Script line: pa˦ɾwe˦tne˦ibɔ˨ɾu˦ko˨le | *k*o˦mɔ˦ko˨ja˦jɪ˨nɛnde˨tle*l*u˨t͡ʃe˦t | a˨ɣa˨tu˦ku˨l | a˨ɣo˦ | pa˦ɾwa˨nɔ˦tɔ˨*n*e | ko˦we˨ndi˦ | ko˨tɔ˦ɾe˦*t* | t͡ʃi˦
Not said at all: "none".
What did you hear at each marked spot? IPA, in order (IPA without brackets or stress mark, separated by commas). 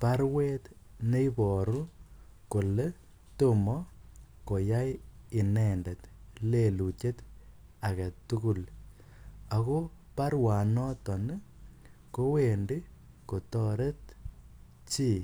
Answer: t, l, n, t